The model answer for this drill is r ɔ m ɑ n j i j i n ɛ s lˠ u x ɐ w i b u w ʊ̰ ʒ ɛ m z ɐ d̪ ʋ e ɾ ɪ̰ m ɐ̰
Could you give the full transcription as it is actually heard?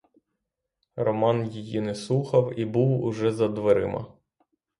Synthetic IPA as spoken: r ɔ m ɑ n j i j i n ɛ s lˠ u x ɐ w i b u w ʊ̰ ʒ ɛ z ɐ d̪ ʋ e ɾ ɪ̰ m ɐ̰